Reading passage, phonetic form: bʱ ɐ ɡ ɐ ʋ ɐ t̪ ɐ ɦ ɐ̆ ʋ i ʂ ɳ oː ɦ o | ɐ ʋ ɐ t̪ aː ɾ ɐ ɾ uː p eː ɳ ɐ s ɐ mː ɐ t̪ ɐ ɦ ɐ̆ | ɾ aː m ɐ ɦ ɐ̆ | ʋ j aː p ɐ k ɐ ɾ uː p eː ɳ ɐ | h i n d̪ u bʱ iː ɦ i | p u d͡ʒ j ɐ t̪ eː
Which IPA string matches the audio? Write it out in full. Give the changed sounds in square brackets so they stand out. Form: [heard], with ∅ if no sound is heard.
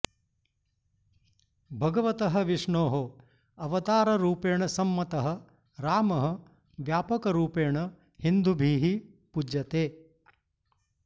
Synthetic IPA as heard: bʱ ɐ ɡ ɐ ʋ ɐ t̪ ɐ ɦ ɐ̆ ʋ i ʂ ɳ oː ɦ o | ɐ ʋ ɐ t̪ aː ɾ ɐ ɾ uː p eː ɳ ɐ s ɐ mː ɐ t̪ ɐ ɦ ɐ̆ | ɾ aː m ɐ ɦ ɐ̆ | ʋ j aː p ɐ k ɐ ɾ uː p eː ɳ ɐ | h i n d̪ u bʱ iː ɦ i | p u d͡ʒ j ɐ t̪ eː